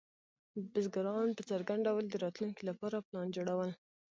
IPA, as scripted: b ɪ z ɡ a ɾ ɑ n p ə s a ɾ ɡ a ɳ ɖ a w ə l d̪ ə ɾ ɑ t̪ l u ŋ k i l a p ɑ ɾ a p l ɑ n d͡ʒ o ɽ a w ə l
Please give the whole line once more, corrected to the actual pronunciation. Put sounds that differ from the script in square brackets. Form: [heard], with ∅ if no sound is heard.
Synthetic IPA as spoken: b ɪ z ɡ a ɾ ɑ n p ə [t͡s] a ɾ ɡ a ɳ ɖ a w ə l d̪ ə ɾ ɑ t̪ l u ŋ k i l a p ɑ ɾ a p l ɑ n d͡ʒ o ɽ a w ə l